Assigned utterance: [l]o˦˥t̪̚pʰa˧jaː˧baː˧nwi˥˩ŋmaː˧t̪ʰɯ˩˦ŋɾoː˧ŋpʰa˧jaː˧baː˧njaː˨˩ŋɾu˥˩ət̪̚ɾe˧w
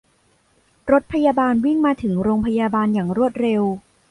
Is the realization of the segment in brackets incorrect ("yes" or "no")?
yes